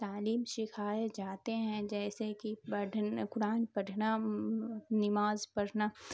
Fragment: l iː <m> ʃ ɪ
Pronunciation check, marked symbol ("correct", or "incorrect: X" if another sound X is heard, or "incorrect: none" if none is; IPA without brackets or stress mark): correct